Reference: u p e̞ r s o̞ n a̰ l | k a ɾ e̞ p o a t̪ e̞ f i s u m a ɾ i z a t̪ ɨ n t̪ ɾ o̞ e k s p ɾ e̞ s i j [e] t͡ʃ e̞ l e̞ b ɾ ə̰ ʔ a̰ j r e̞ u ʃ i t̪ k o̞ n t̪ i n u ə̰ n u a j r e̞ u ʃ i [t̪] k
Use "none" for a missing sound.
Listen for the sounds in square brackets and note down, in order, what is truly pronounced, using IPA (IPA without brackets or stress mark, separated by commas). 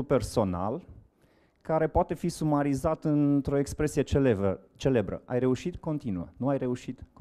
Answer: e, t̪